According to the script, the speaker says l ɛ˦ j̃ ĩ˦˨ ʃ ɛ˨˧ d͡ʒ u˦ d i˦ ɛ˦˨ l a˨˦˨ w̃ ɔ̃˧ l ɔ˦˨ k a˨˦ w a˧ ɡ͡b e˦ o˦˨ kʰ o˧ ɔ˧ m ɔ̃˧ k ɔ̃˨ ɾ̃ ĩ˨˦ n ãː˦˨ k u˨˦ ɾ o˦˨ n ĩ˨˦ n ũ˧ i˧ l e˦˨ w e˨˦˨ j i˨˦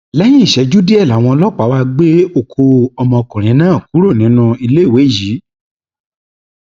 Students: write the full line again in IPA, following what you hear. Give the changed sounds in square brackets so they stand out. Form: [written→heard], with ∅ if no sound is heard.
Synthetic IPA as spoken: l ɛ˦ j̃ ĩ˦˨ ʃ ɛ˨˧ d͡ʒ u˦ d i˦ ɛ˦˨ l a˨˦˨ w̃ ɔ̃˧ l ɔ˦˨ [k→k͡p] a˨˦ w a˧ ɡ͡b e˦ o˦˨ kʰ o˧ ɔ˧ m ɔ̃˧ k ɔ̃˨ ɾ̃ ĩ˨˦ n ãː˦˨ k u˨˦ ɾ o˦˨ n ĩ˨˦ n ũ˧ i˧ l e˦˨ w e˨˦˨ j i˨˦